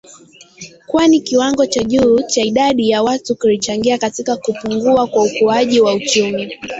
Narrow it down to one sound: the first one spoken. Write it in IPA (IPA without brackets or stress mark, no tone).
k